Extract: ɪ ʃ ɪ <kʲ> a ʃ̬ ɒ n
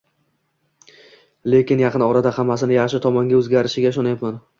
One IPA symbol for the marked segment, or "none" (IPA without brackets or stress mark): ɡʲ